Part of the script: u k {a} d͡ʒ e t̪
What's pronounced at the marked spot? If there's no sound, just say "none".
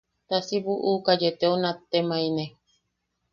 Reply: a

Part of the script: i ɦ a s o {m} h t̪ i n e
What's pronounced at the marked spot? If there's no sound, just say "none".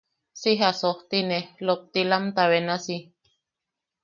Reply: none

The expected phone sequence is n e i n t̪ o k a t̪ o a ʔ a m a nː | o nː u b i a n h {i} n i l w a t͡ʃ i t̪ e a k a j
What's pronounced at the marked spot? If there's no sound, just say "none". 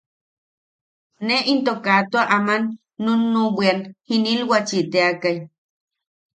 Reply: i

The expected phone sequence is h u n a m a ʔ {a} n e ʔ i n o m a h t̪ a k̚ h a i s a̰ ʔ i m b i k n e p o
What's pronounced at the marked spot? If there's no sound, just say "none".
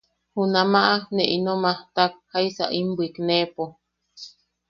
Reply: a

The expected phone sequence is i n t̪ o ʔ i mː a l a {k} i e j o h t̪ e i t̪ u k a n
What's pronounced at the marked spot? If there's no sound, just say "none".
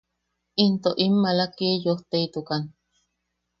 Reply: k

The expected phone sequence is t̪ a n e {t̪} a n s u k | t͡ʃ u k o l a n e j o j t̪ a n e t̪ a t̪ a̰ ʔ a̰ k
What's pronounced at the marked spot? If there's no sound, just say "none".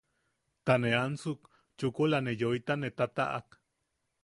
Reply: none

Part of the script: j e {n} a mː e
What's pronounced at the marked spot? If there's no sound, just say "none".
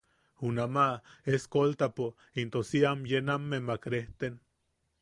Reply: n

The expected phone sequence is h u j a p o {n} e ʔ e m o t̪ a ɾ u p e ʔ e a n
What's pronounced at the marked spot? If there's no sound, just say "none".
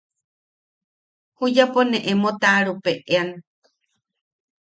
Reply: n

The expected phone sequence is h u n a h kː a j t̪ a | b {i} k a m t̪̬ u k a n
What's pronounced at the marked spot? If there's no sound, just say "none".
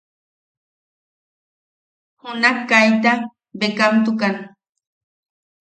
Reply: e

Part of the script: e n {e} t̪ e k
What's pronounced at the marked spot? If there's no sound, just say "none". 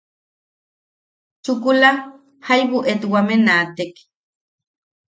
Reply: a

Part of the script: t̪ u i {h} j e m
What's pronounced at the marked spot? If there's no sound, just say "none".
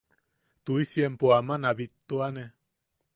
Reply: s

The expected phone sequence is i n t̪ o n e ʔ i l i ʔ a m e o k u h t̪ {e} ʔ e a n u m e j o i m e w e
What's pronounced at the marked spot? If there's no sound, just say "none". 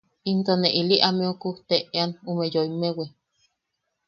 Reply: e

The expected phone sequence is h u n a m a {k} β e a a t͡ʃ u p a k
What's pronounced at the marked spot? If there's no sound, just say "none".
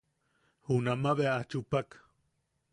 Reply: none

